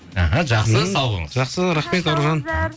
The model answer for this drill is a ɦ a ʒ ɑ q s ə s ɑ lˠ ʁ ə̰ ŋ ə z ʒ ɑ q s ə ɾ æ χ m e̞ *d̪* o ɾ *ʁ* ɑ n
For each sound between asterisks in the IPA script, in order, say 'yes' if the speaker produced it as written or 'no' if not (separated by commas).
no, no